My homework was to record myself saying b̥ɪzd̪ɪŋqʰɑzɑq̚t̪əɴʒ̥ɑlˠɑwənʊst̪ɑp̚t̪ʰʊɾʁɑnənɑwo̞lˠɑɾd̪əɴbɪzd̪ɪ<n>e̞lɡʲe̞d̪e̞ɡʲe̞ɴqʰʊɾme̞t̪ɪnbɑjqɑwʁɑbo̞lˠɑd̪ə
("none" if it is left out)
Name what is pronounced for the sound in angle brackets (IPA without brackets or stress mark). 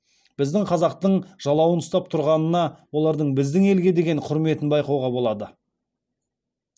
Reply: ŋ